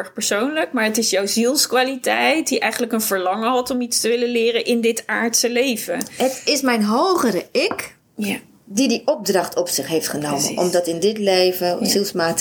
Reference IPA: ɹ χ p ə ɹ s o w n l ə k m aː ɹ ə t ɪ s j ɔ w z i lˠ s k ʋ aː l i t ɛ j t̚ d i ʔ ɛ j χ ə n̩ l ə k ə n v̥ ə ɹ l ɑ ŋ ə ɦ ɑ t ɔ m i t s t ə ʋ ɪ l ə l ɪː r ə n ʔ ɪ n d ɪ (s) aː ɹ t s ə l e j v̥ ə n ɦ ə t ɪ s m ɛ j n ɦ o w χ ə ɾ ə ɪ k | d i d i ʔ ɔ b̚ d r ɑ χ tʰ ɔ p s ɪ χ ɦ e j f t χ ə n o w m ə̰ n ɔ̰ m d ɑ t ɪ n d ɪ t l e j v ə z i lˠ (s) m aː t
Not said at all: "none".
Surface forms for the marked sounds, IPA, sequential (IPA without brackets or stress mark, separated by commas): t, s